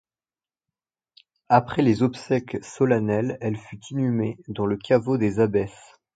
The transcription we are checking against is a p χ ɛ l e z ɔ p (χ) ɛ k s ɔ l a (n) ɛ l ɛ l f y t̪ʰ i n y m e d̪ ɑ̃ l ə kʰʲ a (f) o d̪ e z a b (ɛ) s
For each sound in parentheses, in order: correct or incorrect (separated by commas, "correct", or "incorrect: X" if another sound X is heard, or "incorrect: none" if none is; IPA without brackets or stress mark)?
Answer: incorrect: s, correct, incorrect: v, correct